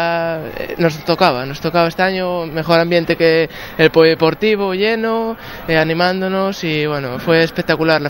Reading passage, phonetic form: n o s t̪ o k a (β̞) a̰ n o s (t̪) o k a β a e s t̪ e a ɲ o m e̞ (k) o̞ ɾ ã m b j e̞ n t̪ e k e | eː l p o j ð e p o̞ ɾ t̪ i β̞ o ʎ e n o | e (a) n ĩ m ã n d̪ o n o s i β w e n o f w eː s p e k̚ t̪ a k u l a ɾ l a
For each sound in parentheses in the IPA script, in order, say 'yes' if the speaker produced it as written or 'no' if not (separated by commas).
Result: yes, yes, no, yes